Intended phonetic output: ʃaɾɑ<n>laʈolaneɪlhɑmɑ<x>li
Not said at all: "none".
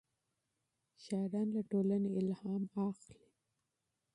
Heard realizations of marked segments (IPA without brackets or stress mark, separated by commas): n, x